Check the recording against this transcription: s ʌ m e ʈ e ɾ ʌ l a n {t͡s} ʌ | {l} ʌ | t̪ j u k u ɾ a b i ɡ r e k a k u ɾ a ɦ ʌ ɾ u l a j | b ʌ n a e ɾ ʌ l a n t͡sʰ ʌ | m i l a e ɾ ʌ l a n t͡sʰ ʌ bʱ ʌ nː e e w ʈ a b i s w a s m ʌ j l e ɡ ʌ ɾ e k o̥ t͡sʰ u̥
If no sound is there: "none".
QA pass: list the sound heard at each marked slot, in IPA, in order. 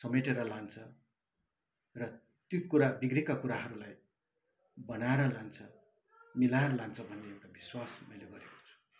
t͡sʰ, r

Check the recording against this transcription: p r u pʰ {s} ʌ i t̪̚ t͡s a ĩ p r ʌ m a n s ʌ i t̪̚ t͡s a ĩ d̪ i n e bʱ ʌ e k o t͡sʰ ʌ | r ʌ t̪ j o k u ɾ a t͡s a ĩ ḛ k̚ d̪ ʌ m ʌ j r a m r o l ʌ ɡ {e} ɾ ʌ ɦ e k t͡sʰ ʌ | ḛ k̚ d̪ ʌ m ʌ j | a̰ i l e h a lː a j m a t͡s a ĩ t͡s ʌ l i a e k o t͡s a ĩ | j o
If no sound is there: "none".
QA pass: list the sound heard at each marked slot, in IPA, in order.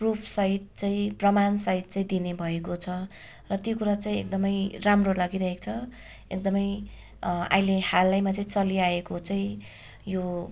s, i

